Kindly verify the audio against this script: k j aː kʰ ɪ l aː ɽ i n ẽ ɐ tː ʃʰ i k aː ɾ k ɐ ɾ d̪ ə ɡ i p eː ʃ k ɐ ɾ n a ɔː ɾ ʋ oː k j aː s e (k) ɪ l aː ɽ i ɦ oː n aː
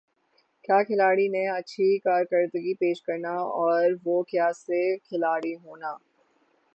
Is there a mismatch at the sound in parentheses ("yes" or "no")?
yes